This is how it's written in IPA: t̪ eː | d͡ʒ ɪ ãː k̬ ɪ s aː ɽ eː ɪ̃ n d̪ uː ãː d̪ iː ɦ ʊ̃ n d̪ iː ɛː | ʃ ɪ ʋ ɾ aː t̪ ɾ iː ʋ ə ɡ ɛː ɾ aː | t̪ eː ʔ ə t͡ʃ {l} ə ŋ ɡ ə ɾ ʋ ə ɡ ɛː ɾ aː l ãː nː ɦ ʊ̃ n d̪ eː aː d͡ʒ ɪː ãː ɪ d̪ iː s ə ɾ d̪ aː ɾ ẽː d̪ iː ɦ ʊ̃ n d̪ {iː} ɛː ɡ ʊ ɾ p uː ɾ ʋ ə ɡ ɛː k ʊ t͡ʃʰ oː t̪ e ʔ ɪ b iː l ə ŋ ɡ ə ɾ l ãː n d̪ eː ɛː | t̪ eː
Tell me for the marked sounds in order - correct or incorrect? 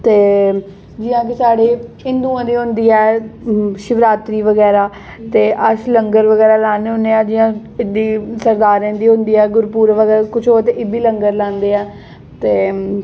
correct, correct

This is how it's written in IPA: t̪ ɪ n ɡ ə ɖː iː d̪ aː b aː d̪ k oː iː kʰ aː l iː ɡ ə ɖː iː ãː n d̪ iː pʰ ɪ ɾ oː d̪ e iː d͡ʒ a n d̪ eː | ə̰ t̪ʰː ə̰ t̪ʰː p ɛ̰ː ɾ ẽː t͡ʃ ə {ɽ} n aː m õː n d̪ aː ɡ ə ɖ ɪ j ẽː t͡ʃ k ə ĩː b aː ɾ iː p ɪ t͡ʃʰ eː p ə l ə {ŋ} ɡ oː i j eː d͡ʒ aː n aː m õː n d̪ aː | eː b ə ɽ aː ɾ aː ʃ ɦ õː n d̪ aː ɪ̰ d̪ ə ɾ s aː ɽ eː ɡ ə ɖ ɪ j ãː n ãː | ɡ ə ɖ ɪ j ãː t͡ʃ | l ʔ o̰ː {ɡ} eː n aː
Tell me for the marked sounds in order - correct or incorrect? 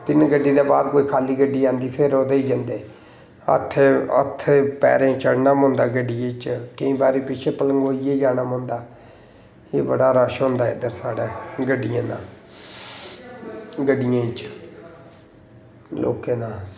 correct, correct, incorrect

